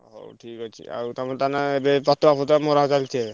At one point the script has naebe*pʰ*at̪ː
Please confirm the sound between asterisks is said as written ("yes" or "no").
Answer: no